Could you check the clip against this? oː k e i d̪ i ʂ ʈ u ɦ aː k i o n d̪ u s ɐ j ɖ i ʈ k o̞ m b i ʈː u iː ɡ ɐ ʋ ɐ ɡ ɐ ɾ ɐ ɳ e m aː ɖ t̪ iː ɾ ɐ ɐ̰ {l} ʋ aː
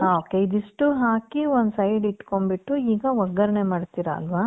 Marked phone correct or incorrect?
correct